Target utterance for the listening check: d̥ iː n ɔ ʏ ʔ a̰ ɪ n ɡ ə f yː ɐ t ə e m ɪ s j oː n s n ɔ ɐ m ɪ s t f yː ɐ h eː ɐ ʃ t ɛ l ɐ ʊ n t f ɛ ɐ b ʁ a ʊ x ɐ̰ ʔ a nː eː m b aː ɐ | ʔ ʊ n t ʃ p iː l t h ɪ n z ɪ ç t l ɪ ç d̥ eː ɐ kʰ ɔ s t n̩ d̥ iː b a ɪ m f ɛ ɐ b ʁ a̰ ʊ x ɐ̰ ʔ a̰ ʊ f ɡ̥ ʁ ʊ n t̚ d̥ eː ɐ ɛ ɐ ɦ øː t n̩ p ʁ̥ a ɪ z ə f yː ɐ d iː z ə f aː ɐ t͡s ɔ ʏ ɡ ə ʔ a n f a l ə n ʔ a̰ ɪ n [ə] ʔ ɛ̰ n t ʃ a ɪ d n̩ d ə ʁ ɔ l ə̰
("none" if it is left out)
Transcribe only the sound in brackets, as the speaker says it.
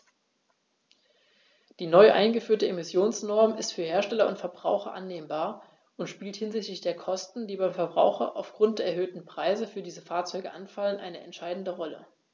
ə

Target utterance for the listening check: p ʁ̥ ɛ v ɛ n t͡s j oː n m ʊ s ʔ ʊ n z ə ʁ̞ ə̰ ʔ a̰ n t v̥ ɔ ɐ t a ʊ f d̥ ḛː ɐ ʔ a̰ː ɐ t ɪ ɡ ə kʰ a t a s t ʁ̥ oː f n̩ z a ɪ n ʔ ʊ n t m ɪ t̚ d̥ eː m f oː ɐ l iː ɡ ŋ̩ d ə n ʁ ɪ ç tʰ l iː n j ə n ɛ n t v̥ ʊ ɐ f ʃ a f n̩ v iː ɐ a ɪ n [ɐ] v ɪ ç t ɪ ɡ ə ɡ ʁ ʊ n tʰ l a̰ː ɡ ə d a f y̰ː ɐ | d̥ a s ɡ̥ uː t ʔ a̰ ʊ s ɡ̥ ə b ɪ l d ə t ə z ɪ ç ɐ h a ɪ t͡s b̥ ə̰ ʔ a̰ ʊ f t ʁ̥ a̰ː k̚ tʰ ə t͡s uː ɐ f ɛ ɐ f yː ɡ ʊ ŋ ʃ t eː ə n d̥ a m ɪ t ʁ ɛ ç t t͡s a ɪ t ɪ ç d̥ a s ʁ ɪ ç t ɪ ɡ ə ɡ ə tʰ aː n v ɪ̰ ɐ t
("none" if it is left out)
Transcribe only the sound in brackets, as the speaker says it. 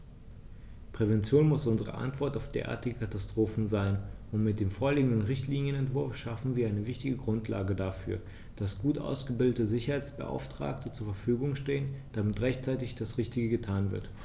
ə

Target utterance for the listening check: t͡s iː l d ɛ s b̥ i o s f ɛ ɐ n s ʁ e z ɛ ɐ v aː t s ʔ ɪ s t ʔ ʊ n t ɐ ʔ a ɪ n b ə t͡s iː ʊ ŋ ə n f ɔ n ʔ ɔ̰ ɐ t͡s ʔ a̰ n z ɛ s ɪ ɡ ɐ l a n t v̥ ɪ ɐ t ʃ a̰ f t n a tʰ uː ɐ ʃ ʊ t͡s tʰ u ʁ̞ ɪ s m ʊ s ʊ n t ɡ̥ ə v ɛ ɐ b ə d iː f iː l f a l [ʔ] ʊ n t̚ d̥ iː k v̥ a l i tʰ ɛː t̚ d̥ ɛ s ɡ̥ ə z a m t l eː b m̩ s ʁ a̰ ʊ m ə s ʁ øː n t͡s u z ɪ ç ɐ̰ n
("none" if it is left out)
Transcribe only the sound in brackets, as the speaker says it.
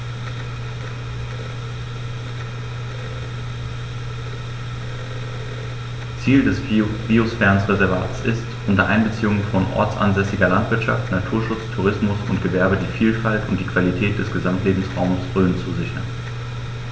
t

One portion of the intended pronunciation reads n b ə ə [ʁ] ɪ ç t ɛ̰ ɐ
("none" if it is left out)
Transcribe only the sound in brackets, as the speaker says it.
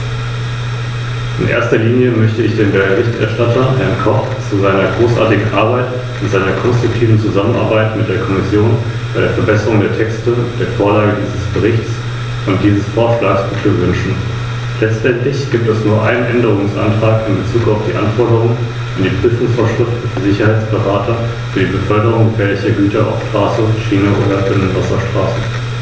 ʁ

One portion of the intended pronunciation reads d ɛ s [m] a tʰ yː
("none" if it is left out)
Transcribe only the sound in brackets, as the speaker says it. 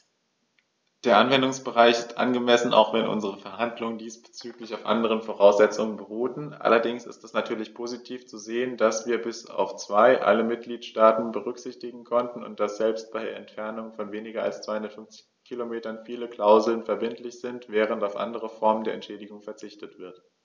n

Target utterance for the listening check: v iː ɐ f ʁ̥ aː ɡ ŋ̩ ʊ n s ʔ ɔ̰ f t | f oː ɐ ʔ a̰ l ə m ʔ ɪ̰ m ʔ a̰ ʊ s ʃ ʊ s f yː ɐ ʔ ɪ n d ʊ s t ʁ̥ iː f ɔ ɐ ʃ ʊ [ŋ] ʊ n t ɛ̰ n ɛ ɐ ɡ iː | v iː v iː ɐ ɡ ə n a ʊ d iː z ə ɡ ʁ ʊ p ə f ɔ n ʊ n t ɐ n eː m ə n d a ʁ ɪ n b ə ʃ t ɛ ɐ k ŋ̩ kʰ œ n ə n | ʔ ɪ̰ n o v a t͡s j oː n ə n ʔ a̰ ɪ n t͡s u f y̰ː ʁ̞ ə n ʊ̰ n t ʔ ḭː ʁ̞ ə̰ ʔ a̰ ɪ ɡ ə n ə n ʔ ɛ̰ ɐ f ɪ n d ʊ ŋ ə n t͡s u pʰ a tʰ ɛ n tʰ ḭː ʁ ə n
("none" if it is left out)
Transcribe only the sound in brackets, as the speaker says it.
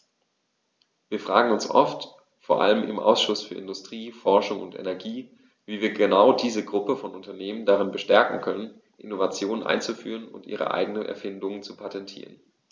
ŋ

